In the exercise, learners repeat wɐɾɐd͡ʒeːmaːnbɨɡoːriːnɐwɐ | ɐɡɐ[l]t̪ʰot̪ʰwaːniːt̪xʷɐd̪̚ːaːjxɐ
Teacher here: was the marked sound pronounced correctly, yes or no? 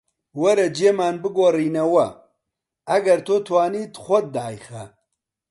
no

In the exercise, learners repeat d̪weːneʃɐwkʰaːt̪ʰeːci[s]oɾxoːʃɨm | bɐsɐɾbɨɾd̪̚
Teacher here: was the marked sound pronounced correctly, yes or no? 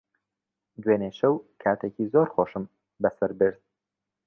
no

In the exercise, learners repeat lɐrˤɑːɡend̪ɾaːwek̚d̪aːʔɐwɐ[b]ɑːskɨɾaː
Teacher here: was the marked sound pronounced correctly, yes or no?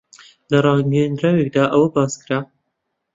yes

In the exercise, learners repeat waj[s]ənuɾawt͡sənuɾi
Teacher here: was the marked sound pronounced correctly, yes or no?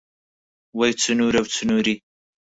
no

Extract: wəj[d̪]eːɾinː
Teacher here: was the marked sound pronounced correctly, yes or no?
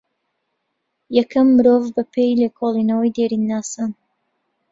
yes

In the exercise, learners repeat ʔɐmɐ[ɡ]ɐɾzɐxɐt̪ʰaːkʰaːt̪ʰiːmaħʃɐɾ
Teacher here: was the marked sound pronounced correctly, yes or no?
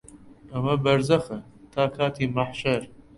no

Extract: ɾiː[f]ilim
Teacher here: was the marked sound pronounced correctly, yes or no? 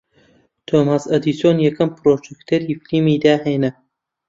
yes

